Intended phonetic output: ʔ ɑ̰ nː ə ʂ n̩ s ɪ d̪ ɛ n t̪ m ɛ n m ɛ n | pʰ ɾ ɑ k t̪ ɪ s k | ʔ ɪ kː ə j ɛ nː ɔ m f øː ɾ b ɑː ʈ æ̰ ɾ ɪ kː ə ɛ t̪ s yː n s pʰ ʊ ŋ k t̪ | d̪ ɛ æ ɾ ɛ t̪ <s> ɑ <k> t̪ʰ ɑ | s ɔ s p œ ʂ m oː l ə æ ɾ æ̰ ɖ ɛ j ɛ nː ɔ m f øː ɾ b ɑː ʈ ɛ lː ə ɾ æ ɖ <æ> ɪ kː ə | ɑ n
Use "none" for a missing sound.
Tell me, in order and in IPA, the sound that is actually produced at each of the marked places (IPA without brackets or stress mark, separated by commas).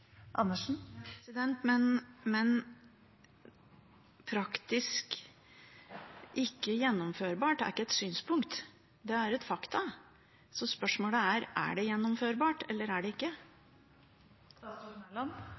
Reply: f, k, ɛ